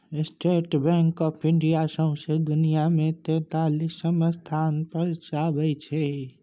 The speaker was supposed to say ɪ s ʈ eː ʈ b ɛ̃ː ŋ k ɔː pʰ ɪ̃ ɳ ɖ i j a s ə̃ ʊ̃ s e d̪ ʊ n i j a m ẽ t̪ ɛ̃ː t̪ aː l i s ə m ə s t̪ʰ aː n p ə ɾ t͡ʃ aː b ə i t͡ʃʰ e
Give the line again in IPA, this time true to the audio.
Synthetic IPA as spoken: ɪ s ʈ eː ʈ b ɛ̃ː ŋ k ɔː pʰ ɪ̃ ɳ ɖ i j a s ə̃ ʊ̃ s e d̪ ʊ n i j a m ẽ t̪ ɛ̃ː t̪ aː l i s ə m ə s t̪ʰ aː n p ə ɾ t͡ʃ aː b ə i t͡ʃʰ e